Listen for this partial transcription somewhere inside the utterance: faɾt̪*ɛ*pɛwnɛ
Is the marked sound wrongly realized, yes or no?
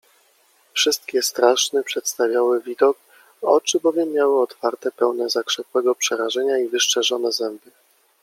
no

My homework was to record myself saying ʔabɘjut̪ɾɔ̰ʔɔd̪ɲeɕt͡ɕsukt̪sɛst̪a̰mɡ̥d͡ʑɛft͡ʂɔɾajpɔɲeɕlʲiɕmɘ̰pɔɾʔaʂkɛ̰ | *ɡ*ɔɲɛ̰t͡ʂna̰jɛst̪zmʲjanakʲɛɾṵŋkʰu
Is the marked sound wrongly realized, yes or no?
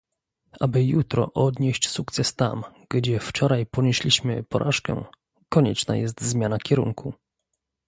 yes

